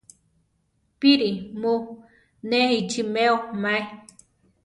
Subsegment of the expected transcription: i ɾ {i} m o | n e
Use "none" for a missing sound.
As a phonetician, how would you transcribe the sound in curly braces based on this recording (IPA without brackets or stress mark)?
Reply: i